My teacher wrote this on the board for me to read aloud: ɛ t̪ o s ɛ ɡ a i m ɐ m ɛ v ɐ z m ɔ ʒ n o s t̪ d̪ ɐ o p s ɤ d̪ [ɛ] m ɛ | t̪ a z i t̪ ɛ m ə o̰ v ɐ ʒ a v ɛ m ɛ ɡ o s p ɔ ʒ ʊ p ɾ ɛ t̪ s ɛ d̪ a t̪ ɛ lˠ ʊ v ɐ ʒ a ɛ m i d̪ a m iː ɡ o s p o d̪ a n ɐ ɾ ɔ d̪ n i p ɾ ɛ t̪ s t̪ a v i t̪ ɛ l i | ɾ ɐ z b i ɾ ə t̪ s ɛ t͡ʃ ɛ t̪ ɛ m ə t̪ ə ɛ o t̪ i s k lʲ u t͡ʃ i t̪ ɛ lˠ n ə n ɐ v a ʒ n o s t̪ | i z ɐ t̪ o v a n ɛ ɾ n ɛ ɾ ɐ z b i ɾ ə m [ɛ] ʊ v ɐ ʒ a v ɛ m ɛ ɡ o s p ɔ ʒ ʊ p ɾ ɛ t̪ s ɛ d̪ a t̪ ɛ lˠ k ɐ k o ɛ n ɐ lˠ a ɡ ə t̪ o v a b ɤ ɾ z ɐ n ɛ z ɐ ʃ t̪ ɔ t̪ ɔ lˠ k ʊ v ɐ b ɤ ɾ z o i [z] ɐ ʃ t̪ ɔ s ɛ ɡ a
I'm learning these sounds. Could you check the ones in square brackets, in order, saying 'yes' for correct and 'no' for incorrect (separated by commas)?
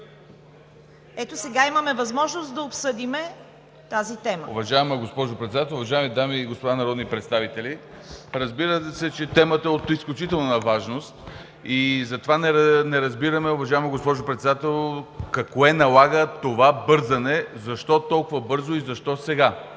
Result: no, yes, yes